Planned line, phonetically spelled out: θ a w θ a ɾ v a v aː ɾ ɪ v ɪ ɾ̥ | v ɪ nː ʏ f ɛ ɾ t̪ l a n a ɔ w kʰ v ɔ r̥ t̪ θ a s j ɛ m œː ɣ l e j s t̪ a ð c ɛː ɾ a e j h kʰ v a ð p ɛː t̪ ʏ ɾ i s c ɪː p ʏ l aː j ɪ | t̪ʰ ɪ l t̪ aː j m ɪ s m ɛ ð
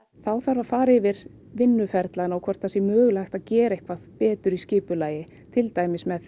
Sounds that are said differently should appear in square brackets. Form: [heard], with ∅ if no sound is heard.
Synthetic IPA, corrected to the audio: θ a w θ a ɾ v a [f] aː ɾ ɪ v ɪ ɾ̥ | v ɪ nː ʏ f ɛ ɾ t̪ l a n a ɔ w kʰ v ɔ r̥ t̪ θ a s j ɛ m œː ɣ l [a] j [x] t̪ a ð c ɛː ɾ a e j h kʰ v a ð p ɛː t̪ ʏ ɾ i s c ɪː p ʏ l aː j ɪ | t̪ʰ ɪ l t̪ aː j m ɪ s m ɛ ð

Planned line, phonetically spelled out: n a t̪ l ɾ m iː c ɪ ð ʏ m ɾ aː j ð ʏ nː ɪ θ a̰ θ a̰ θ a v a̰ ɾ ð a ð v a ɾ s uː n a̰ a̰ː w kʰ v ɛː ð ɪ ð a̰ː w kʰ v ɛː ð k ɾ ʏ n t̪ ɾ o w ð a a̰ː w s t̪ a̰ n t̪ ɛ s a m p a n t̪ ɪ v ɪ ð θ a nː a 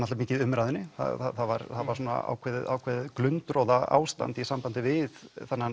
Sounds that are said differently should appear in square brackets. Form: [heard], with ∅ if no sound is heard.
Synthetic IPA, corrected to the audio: n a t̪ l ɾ m iː c ɪ ð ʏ m ɾ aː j ð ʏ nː ɪ θ a̰ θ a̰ θ a v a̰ ɾ [θ] a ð v a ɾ s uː n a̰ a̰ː w kʰ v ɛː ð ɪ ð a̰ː w kʰ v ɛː ð k [l] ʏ n t̪ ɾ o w ð a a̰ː w s t̪ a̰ n t̪ [i] s a m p a n t̪ ɪ v ɪ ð θ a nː a

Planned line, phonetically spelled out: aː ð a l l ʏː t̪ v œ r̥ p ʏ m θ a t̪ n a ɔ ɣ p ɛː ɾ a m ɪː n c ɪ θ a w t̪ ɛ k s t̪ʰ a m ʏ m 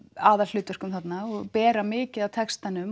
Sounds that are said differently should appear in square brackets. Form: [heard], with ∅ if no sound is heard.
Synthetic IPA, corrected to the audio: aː ð a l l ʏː t̪ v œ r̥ [k] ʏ m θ a t̪ n a ɔ ɣ p ɛː ɾ a m ɪː [∅] c ɪ [ð] a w [t̪ʰ] ɛ k s [t̪] a [n] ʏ m

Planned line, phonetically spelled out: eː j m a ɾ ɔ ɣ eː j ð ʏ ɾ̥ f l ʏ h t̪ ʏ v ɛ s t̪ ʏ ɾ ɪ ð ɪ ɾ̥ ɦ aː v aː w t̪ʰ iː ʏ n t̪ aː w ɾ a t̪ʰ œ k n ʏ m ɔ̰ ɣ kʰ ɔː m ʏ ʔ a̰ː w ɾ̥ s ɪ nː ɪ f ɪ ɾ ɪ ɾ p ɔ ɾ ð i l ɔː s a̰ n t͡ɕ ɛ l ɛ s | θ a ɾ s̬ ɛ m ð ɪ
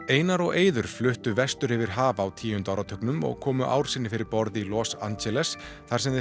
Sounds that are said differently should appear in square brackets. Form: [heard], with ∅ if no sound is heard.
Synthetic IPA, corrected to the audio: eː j [n] a ɾ ɔ ɣ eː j ð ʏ ɾ̥ f l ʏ h t̪ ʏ v ɛ s t̪ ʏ ɾ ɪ [v] ɪ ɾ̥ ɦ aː v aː w t̪ʰ iː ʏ n t̪ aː w ɾ a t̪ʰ œ k n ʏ m ɔ̰ ɣ kʰ ɔː m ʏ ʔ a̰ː w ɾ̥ s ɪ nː ɪ f ɪ ɾ ɪ ɾ p ɔ ɾ ð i l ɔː s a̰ n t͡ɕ ɛ l ɛ s | θ a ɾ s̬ ɛ m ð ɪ

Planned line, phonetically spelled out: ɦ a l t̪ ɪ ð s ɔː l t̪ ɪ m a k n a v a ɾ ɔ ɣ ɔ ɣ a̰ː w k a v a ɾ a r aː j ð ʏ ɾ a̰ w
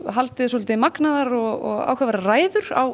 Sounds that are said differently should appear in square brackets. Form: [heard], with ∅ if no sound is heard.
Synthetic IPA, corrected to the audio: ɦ a l t̪ ɪ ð s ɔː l t̪ ɪ m a k n a [ð] a ɾ ɔ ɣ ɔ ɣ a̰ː w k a v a ɾ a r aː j ð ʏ ɾ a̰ w

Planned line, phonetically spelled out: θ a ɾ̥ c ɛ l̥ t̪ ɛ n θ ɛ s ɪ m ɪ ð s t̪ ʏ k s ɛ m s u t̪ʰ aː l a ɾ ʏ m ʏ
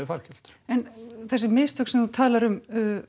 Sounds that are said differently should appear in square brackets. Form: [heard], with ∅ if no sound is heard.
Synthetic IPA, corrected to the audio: [f] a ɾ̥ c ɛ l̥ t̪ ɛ n θ ɛ s ɪ m ɪ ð s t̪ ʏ k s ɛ m [θ] u t̪ʰ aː l a ɾ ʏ m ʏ

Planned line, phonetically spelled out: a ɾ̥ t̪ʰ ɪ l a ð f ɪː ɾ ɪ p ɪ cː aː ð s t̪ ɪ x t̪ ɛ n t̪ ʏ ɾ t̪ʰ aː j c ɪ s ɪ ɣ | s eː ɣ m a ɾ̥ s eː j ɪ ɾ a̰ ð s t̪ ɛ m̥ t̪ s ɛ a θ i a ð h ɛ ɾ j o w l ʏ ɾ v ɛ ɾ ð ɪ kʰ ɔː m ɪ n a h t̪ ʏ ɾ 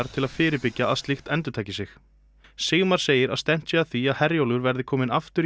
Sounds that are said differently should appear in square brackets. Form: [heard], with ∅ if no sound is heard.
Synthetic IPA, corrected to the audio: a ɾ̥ t̪ʰ ɪ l a ð f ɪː ɾ ɪ p ɪ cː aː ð s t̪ ɪ x t̪ ɛ n t̪ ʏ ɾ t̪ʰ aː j c ɪ s ɪ [x] | s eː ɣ m a ɾ̥ s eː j ɪ ɾ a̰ ð s t̪ ɛ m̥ t̪ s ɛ a θ i a ð h ɛ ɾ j o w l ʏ ɾ v ɛ ɾ ð ɪ kʰ ɔː m ɪ n a [f] t̪ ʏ ɾ

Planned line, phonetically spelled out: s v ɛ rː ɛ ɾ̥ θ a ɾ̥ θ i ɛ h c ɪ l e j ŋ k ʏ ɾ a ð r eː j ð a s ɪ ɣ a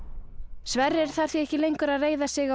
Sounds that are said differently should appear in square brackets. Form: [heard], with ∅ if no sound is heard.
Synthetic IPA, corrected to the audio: s v ɛ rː ɛ ɾ̥ θ a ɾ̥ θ i ɛ h c ɪ l e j ŋ k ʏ ɾ a ð r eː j ð a s ɪ ɣ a

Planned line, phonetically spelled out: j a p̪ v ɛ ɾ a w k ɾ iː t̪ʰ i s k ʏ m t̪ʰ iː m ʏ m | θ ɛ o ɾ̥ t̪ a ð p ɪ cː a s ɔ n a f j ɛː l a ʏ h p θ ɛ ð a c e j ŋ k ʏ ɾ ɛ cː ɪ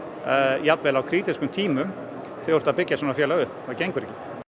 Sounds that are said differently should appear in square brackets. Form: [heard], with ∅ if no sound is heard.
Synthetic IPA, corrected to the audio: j a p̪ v ɛ [l] a w [kʰ] ɾ iː [t̪] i s k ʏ m t̪ʰ iː m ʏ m | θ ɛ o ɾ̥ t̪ a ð p ɪ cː a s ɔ n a f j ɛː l a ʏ h p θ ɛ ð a c e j ŋ k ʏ ɾ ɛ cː ɪ

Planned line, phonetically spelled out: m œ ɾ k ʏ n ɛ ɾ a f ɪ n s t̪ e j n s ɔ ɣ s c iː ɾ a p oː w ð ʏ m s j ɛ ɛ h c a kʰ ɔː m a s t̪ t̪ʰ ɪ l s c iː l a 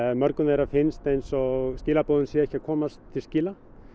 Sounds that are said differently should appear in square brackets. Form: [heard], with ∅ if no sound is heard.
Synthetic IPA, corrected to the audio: m œ ɾ k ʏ n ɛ ɾ a f ɪ n s t̪ e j n s ɔ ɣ s c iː [l] a p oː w ð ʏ [n] s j ɛ ɛ h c a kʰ ɔː m a s t̪ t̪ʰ ɪ l s c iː l a

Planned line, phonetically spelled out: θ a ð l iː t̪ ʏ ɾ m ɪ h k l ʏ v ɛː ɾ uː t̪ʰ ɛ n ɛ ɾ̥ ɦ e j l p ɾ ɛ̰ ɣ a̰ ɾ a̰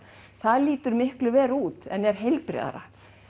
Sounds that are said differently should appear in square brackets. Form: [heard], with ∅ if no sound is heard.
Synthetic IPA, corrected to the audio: θ a ð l iː t̪ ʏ ɾ m ɪ h k l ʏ v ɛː ɾ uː [t̪] ɛ n ɛ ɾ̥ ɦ e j l p ɾ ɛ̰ [ð] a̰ ɾ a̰

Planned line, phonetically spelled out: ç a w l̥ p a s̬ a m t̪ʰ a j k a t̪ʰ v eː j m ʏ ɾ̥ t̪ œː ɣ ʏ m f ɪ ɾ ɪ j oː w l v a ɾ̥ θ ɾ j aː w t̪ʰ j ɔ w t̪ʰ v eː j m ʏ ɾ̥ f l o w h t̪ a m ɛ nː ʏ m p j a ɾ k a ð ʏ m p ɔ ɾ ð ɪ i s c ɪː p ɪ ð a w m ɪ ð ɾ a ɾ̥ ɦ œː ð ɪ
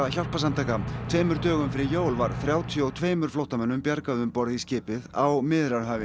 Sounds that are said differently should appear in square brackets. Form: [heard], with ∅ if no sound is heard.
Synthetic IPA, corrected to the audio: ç a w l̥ p a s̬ a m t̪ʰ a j k a t̪ʰ v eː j m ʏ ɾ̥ t̪ œː ɣ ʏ m f ɪ ɾ ɪ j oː w l v a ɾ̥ θ ɾ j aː w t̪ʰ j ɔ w t̪ʰ v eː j m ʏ ɾ̥ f l o w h t̪ a m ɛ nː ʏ m p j a ɾ k a ð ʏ m p ɔ ɾ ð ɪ i s c ɪː p ɪ ð a w m ɪ ð ɾ a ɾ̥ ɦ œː [v] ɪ

